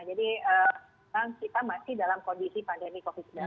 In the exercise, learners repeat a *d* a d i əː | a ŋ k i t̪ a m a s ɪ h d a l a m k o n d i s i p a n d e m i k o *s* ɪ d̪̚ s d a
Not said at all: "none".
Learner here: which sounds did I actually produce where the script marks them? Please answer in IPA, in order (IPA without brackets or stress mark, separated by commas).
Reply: d͡ʒ, f